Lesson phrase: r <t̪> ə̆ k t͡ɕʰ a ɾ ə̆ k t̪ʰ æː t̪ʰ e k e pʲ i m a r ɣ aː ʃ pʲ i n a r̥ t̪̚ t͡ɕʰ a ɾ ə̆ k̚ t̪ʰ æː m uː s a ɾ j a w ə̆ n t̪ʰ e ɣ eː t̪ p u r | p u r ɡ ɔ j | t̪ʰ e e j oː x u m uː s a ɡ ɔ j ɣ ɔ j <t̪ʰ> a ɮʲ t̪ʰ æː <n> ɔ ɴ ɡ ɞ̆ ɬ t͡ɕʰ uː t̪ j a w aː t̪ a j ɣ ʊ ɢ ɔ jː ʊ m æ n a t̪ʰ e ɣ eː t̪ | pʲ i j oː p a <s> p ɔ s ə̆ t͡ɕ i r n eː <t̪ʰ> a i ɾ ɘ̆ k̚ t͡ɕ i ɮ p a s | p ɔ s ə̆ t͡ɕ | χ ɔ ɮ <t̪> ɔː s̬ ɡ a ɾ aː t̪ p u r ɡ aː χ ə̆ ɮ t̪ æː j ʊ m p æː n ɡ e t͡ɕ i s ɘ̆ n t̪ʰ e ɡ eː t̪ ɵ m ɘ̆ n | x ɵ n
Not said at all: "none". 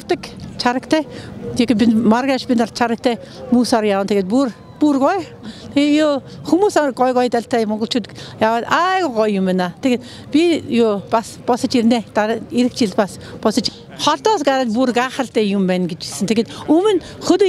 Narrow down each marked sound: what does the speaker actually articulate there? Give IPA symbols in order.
t̪, t̪, m, s, t̪, t̪

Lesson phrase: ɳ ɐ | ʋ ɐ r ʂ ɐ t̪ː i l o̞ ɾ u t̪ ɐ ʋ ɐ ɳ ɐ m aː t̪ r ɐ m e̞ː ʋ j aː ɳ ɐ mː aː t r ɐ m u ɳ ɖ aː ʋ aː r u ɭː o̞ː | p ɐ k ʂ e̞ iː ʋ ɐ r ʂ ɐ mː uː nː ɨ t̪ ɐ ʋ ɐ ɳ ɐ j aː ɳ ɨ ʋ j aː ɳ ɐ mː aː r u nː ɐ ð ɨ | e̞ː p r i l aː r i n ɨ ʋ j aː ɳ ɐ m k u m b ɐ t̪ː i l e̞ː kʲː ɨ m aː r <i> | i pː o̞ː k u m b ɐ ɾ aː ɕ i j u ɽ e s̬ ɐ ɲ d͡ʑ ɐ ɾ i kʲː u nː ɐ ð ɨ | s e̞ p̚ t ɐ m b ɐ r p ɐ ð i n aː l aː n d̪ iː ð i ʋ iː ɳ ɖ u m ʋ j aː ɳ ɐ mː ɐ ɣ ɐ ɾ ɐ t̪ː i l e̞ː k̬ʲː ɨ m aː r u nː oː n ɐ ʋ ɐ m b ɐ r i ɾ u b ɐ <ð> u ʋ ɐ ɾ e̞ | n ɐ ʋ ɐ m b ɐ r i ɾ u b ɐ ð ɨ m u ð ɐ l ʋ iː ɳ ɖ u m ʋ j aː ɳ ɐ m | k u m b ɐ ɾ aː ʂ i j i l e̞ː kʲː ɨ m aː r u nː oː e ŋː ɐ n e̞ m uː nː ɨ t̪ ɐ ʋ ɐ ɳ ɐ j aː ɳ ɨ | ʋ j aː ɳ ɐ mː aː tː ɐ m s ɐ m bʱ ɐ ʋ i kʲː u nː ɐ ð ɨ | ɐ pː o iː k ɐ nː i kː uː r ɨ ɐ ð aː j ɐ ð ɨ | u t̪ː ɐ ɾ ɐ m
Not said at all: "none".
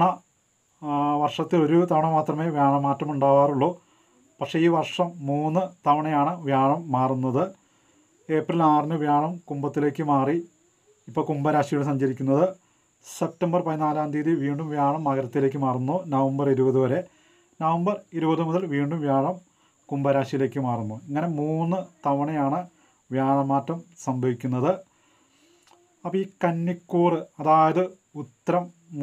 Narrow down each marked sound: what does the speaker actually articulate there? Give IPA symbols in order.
i, ð

